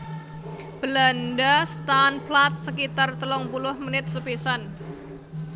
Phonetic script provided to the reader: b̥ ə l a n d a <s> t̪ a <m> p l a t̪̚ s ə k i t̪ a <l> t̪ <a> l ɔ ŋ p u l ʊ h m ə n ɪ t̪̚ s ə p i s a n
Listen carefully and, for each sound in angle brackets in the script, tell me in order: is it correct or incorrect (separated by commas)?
correct, incorrect, incorrect, incorrect